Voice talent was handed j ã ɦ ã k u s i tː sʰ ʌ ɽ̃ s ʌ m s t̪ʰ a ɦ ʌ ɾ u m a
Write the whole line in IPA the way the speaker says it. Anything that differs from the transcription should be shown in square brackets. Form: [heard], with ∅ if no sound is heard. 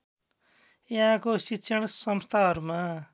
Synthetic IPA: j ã ɦ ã k [o] s i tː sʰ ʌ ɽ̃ s ʌ m s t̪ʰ a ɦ ʌ ɾ u m a